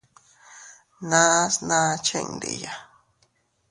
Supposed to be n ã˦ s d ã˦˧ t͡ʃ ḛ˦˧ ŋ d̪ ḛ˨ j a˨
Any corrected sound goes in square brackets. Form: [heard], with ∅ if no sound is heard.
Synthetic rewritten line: n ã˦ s [n] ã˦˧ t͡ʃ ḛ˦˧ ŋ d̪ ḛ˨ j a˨